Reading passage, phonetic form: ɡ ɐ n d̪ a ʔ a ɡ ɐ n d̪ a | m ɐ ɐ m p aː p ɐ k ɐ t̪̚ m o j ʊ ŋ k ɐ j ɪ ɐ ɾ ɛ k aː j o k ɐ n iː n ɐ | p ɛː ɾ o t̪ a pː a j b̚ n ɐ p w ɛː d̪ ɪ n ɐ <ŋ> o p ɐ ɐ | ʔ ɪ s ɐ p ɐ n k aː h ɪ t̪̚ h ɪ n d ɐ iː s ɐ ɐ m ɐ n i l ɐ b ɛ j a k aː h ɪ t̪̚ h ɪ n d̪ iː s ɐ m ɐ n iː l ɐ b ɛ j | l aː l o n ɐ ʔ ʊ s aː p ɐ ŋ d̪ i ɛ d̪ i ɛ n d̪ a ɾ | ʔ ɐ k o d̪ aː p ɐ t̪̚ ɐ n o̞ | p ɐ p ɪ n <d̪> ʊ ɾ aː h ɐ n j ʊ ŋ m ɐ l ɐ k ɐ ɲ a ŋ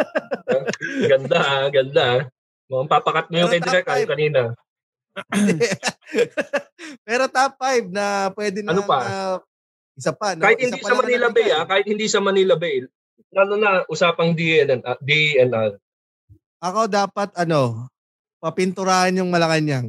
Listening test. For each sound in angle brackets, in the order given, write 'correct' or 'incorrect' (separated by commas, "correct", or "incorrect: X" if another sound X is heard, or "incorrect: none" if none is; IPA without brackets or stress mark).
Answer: incorrect: n, incorrect: t̪